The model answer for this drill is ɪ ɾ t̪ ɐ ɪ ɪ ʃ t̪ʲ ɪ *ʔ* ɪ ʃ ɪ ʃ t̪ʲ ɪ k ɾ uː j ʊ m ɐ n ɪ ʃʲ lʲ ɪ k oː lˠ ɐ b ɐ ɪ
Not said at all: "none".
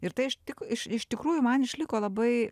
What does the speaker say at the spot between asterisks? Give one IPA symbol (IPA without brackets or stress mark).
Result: k